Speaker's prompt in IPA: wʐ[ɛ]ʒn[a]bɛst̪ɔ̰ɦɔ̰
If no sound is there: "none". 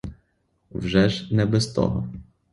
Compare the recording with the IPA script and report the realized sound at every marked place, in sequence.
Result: ɛ, ɛ

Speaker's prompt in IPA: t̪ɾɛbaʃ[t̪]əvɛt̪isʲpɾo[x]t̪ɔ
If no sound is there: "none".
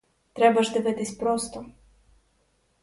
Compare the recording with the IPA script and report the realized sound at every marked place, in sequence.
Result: d̪, s

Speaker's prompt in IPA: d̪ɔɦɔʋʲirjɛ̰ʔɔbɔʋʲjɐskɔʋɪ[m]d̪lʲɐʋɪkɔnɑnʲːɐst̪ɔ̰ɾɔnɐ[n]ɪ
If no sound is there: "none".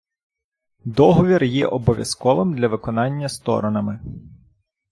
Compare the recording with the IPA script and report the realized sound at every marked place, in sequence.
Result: m, m

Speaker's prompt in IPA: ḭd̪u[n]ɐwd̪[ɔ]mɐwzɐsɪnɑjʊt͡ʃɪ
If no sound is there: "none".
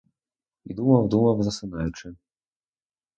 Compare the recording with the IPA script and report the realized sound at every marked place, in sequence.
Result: m, u

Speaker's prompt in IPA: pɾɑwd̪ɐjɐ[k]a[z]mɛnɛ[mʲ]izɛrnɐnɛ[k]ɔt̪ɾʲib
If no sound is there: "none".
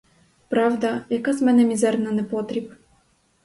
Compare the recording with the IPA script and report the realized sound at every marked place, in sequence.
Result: k, z, mʲ, p

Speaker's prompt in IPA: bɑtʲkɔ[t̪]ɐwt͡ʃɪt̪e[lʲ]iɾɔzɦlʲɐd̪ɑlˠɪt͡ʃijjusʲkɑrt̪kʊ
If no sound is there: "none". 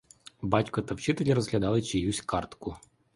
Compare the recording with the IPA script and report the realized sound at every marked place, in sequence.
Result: t̪, lʲ

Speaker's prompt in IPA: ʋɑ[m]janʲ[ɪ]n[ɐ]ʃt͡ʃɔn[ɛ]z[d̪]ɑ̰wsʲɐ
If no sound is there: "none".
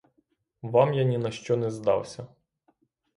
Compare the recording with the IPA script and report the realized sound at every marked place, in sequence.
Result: m, i, ɐ, ɛ, d̪

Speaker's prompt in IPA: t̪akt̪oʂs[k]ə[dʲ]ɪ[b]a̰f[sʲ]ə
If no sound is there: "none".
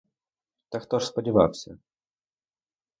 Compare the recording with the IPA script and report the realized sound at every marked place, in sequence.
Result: p, dʲ, v, sʲ

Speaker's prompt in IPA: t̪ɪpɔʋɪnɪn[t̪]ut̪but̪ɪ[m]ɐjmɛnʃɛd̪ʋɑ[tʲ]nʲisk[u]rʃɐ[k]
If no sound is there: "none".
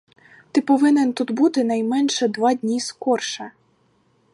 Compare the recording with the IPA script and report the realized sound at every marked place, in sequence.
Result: t̪, n, dʲ, ɔ, none

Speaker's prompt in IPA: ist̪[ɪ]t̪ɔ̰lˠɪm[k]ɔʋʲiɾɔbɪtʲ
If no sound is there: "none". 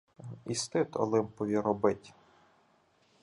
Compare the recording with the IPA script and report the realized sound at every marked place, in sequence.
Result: ɪ, p

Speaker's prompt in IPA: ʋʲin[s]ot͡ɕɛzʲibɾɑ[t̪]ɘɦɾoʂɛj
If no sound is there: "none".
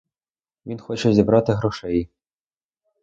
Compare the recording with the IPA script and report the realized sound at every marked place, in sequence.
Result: x, t̪

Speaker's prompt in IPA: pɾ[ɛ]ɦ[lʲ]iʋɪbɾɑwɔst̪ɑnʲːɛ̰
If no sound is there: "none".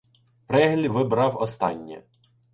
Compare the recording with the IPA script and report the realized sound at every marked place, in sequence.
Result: ɛ, lʲ

